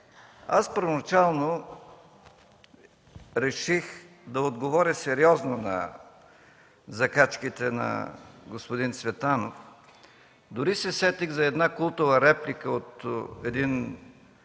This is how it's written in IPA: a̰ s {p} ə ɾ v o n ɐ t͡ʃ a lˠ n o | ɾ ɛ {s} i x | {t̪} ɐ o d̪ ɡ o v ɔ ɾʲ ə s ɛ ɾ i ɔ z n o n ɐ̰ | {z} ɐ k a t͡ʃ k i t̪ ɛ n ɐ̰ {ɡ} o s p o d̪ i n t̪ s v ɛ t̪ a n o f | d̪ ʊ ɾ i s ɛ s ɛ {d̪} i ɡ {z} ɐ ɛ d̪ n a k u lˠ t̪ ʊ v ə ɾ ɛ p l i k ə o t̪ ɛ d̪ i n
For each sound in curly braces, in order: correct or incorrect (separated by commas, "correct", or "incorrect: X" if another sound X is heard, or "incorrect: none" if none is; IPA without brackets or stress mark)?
correct, incorrect: ʃ, incorrect: d̪, correct, correct, incorrect: t̪, correct